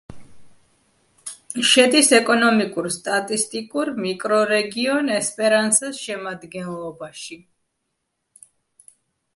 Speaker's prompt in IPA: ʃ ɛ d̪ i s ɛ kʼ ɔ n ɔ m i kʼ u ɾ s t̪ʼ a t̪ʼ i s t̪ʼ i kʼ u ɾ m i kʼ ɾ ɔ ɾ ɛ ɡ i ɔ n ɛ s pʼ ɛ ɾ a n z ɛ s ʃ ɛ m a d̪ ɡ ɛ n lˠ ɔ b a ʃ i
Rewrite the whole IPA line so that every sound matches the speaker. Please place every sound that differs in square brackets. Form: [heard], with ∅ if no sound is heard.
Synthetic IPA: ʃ ɛ d̪ i s ɛ kʼ ɔ n ɔ m i kʼ u ɾ s t̪ʼ a t̪ʼ i s t̪ʼ i kʼ u ɾ m i kʼ ɾ ɔ ɾ ɛ ɡ i ɔ n ɛ s pʼ ɛ ɾ a n [s] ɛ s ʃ ɛ m a d̪ ɡ ɛ n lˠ ɔ b a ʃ i